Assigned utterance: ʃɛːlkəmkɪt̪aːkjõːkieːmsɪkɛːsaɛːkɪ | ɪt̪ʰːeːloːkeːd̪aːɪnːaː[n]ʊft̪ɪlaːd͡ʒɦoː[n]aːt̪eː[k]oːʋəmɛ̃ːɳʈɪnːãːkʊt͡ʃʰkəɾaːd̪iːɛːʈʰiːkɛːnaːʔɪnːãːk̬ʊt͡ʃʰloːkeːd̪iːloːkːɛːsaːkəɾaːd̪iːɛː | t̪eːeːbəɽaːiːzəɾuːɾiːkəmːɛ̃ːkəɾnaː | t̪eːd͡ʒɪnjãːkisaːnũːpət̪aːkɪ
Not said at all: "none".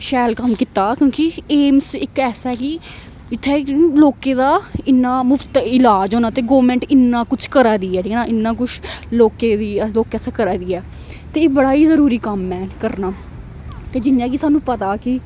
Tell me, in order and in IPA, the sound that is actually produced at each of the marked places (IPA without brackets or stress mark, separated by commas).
m, n, ɡ